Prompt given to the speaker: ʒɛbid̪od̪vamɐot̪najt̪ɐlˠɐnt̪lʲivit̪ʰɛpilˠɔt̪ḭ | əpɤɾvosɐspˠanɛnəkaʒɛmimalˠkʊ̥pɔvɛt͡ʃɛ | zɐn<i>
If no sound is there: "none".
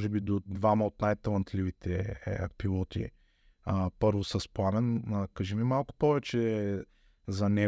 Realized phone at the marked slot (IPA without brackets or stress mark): ɛ